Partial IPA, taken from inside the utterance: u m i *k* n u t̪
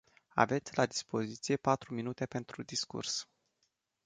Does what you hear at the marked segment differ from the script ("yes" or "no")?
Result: yes